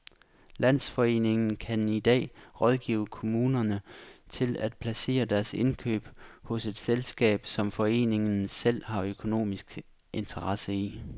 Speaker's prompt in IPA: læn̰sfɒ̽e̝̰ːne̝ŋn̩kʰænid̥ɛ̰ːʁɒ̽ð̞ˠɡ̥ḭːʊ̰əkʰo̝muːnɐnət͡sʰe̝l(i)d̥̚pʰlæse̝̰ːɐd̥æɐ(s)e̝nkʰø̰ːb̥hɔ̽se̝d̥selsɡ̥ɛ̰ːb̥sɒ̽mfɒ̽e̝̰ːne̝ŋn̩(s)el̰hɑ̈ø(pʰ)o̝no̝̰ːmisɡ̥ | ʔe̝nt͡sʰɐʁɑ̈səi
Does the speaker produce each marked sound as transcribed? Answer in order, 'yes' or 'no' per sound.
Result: no, yes, yes, no

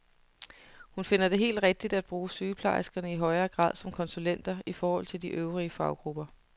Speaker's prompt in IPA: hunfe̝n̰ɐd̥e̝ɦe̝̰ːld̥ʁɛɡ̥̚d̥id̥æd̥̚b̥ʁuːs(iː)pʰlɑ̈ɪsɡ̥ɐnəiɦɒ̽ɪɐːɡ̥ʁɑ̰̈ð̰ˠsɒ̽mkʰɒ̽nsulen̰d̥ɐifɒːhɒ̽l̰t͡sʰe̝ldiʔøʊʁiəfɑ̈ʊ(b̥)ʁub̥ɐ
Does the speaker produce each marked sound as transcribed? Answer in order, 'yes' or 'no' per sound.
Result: no, no

